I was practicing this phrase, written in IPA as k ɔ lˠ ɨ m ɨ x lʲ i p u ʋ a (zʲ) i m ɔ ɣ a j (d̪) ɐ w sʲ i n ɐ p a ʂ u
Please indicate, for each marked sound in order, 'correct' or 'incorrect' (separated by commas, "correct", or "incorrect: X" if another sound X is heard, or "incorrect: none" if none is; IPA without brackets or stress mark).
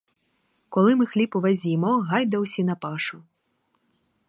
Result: correct, correct